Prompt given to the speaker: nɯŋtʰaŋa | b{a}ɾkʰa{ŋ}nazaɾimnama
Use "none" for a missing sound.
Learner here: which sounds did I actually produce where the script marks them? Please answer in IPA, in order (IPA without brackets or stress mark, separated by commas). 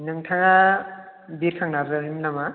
i, ŋ